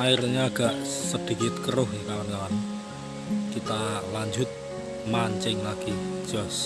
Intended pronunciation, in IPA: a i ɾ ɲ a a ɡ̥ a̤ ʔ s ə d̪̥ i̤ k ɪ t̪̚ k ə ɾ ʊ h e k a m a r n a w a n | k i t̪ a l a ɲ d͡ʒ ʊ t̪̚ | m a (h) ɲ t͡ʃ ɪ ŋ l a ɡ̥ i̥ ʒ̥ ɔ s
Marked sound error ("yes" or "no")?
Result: yes